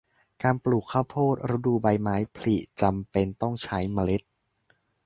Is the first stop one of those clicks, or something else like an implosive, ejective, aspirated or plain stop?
plain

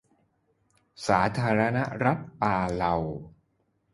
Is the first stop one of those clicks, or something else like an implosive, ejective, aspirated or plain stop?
aspirated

